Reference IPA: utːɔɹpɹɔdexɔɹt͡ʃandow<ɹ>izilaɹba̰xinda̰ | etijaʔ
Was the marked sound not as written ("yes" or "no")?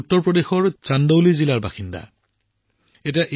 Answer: yes